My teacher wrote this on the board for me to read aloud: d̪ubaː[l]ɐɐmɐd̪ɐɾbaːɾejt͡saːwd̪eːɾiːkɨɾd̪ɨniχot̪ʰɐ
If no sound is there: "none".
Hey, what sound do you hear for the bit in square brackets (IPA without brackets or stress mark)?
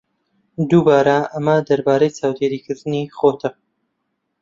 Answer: ɾ